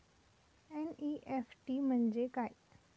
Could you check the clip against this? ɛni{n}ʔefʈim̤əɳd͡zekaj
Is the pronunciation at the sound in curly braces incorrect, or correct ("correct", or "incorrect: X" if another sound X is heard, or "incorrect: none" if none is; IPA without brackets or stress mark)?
incorrect: none